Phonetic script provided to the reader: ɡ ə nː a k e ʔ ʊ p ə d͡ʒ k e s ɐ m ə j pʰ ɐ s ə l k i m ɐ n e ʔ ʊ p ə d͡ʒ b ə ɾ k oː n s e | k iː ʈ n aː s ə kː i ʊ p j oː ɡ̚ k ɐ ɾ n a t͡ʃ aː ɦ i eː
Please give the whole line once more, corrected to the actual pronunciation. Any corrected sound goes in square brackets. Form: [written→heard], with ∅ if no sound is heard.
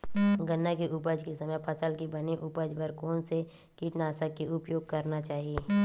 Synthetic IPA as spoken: ɡ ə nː a k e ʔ ʊ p ə d͡ʒ k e s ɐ m ə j pʰ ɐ s ə l k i [m→b] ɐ n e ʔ ʊ p ə d͡ʒ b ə ɾ k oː n s e | k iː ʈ n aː s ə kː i ʊ p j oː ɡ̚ k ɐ ɾ n a t͡ʃ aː ɦ i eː

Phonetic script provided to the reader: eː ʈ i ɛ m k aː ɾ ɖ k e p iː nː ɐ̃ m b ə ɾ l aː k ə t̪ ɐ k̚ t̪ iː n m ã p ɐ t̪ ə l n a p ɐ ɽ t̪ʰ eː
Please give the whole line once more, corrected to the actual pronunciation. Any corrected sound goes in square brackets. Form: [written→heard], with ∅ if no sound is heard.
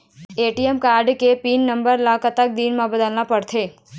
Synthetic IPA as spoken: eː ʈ i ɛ m k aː ɾ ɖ k e p iː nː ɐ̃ m b ə ɾ l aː k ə t̪ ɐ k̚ [t̪→d̪] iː n m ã [p→b] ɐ [t̪→d̪] ə l n a p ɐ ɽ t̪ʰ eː

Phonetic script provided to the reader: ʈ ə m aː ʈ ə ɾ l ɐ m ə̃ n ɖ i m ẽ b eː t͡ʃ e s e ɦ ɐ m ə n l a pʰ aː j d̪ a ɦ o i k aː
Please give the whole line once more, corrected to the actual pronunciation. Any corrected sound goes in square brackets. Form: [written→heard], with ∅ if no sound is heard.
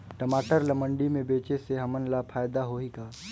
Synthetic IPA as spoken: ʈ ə m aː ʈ ə ɾ l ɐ m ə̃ [n→ɳ] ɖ i m ẽ b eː t͡ʃ e s e ɦ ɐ m ə n l a pʰ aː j d̪ a ɦ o i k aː

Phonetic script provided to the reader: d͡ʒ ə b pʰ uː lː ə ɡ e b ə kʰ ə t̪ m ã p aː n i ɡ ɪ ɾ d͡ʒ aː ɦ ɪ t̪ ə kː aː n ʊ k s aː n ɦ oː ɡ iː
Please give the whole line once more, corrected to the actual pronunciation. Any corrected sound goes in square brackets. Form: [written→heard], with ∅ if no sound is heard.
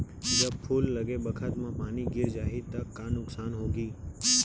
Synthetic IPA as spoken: d͡ʒ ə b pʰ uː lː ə ɡ e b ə kʰ ə t̪ m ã p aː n i ɡ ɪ ɾ d͡ʒ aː ɦ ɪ t̪ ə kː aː n ʊ k s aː n ɦ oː ɡ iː

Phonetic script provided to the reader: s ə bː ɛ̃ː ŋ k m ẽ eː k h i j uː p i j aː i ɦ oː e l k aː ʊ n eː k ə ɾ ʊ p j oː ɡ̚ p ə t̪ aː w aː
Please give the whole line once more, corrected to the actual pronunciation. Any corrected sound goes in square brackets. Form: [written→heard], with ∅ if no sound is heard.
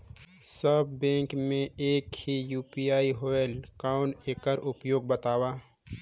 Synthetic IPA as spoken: s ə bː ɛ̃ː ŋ k m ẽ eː k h i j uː p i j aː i ɦ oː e l k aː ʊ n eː k ə ɾ ʊ p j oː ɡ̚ [p→b] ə t̪ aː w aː

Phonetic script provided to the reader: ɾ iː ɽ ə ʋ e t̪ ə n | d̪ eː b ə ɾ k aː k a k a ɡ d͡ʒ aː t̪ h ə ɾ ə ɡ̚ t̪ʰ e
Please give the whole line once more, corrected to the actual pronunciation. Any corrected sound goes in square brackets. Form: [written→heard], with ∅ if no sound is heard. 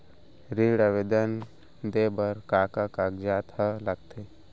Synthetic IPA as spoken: ɾ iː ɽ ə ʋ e [t̪→d̪] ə n | d̪ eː b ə ɾ k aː k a k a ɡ d͡ʒ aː t̪ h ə [ɾ→l] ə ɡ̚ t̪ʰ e

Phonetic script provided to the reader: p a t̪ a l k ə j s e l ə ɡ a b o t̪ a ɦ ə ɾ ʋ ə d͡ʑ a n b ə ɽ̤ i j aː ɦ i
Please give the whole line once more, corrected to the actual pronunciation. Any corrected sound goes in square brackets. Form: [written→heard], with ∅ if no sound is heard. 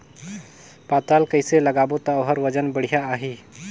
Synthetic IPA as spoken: p a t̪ a l k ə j s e l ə ɡ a b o t̪ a ɦ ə ɾ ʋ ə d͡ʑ [a→ə] n b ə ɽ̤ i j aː ɦ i

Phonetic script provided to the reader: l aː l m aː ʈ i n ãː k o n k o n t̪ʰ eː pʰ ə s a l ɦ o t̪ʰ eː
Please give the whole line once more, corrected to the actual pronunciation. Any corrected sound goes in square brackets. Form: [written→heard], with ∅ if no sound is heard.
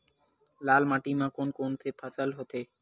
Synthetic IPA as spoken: l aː l m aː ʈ i [n→m] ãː k o n k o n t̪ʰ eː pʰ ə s [a→ə] l ɦ o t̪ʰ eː

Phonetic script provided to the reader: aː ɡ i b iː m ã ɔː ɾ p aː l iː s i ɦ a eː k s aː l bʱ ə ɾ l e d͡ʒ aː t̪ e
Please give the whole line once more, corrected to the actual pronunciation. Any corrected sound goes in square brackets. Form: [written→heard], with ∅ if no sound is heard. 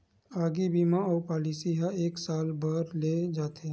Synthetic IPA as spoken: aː ɡ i b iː m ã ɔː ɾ p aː l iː s i ɦ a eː k s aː l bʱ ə ɾ l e d͡ʒ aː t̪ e

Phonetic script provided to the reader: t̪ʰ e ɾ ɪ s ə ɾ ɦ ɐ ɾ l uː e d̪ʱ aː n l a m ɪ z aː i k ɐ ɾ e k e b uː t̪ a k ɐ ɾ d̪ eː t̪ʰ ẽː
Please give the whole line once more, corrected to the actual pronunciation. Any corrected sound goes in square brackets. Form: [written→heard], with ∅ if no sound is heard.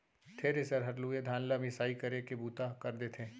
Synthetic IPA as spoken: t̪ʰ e ɾ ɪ s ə ɾ ɦ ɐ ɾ l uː e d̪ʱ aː n l a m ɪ [z→s] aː i k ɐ ɾ e k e b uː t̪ a k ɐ ɾ d̪ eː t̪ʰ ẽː

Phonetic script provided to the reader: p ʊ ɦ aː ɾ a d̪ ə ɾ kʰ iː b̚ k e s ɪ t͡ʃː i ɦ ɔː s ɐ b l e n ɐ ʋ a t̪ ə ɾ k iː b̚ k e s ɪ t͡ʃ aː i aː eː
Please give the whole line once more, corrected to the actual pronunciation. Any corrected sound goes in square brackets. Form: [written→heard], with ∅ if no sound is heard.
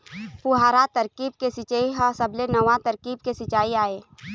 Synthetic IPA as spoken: p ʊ ɦ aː ɾ a [d̪→t̪] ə ɾ [kʰ→k] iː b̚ k e s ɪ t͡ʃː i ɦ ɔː s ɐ b l e n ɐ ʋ a t̪ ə ɾ k iː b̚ k e s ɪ t͡ʃ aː i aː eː

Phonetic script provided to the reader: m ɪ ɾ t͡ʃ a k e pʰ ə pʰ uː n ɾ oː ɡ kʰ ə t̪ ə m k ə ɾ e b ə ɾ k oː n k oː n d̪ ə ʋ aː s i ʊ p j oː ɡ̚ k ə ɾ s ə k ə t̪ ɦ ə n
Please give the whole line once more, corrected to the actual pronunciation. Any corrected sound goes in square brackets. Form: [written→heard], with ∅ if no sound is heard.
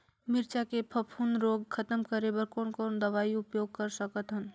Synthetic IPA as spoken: m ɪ ɾ t͡ʃ a k e pʰ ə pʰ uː n ɾ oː ɡ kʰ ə t̪ ə m k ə ɾ e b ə ɾ k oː n k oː n d̪ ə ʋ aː [s→∅] i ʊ p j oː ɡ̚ k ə ɾ s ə k ə t̪ ɦ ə n

